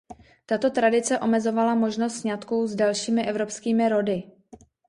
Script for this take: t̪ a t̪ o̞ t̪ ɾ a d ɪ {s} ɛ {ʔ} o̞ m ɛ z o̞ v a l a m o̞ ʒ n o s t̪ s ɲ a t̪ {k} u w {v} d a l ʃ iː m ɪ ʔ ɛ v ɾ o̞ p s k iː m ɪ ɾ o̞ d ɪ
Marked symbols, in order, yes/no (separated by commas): no, yes, yes, no